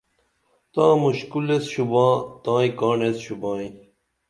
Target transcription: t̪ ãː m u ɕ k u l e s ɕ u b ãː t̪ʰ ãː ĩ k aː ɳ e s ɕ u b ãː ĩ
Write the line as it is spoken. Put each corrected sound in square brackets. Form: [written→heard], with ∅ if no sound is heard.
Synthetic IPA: t̪ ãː m u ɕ k u l e s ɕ u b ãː [t̪ʰ→t̪] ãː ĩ k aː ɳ e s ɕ u b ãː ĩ